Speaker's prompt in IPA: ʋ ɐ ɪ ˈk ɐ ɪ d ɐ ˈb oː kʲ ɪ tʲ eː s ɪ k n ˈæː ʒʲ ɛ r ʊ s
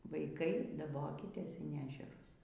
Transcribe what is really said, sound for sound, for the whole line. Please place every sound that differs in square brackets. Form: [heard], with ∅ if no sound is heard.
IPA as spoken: ʋ ɐ ɪ ˈk ɐ ɪ d ɐ ˈb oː kʲ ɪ tʲ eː s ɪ [∅] n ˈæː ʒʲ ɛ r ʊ s